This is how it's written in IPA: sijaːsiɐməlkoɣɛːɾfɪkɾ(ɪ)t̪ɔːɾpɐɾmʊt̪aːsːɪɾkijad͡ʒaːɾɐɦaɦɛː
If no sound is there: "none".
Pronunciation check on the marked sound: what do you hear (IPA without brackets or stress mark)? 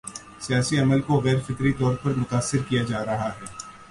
i